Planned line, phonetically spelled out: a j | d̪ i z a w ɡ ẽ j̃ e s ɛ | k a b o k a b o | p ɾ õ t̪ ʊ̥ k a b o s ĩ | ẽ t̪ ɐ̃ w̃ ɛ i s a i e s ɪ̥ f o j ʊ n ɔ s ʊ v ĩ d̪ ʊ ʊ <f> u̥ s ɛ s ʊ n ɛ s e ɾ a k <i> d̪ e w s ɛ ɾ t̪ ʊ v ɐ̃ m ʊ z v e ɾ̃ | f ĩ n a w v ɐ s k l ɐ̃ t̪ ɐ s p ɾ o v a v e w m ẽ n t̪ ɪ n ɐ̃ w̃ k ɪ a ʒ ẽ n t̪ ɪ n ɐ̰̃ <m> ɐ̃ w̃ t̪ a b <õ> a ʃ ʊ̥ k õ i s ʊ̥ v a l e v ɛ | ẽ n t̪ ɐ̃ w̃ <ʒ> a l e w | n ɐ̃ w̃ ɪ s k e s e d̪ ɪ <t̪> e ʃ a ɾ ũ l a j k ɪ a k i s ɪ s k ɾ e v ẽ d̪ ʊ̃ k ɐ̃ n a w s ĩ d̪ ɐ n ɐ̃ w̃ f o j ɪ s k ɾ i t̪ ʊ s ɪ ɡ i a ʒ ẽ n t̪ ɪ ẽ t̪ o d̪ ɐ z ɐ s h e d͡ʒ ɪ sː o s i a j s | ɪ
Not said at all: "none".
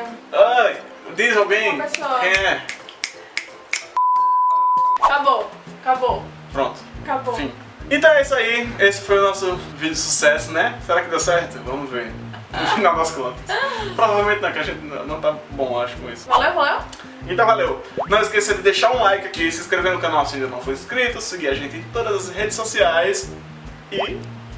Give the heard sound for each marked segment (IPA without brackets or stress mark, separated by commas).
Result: s, ɪ, n, õ, v, d̪